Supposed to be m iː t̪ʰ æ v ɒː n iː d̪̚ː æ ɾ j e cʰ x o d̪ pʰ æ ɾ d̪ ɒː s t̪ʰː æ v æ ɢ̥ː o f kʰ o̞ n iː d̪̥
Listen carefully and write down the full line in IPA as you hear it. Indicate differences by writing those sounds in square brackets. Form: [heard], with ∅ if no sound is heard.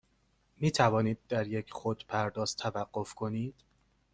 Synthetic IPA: m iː t̪ʰ æ v ɒː n iː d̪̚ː æ ɾ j e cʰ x o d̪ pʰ æ ɾ d̪ ɒː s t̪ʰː æ v æ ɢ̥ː o f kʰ o̞ n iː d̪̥